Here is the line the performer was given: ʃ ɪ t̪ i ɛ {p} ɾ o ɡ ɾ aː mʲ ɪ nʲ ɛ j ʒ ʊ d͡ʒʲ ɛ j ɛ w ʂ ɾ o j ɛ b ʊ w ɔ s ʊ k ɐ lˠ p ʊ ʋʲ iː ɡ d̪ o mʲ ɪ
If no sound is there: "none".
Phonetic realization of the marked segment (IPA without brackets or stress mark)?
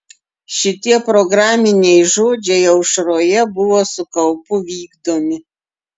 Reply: p